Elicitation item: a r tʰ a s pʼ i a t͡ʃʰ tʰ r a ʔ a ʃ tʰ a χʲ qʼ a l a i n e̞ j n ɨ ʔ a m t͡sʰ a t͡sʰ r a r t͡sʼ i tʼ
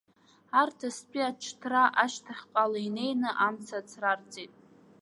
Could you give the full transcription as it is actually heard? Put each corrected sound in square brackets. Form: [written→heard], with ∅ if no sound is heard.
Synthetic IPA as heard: a r tʰ a s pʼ i a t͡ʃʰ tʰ r a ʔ a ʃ tʰ a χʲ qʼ a l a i n e̞ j n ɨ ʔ a m t͡sʰ a t͡sʰ r a r t͡sʼ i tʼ